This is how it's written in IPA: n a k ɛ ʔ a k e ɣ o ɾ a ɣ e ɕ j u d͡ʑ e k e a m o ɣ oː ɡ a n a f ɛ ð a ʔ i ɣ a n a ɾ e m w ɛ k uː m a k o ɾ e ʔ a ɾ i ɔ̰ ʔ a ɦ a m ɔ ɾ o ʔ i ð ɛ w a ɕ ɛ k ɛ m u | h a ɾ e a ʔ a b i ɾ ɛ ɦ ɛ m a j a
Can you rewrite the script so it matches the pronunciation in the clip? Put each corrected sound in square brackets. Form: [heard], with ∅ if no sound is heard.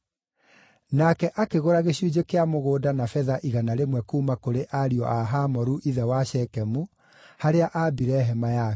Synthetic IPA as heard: n a k ɛ ʔ a k e ɣ o ɾ a ɣ e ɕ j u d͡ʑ e k e a m o ɣ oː [d] a n a f ɛ ð a ʔ i ɣ a n a ɾ e m w ɛ k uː m a k o ɾ e ʔ a ɾ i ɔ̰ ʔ a ɦ a m ɔ ɾ [u] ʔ i ð ɛ w a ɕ ɛ k ɛ m u | h a ɾ e a ʔ a b i ɾ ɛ ɦ ɛ m a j a